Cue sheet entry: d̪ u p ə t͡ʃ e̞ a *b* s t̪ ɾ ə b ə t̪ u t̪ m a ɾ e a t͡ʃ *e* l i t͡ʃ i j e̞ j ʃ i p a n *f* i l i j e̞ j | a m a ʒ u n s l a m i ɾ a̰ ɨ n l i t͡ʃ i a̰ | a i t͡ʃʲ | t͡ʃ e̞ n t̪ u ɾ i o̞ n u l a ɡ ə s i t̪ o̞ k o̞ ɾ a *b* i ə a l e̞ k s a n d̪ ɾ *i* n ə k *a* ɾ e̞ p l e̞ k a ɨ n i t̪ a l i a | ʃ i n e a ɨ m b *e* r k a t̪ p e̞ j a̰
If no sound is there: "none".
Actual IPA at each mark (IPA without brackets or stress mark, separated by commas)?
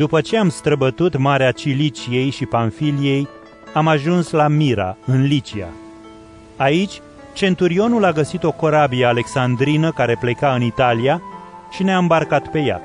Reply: m, i, f, b, i, a, a